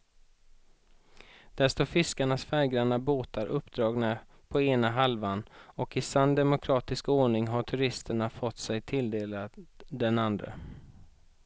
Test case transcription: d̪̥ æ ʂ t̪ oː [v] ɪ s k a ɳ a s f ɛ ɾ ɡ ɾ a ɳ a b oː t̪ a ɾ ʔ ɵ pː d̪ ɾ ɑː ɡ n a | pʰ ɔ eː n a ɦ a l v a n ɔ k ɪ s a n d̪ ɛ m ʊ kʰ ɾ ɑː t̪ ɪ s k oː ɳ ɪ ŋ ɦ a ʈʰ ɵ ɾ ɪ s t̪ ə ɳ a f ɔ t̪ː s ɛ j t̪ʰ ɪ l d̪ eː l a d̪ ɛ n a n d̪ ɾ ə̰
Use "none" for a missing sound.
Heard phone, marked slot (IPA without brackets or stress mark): f